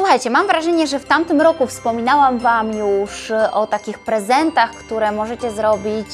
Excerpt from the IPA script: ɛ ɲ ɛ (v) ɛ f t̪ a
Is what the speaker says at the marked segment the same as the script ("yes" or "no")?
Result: no